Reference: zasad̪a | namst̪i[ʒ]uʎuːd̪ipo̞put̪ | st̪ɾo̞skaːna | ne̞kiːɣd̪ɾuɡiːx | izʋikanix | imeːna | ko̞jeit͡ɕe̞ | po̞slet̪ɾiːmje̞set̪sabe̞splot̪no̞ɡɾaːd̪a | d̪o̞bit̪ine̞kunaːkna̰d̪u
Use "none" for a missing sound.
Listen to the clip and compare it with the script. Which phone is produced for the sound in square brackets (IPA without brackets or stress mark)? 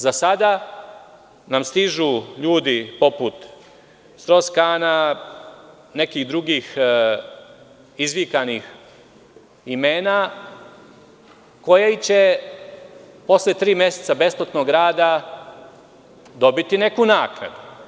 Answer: ʒ